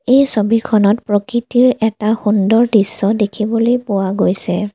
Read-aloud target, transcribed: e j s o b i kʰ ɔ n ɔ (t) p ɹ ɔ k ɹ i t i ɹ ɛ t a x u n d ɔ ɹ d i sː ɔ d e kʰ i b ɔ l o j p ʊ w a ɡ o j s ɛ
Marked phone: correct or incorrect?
correct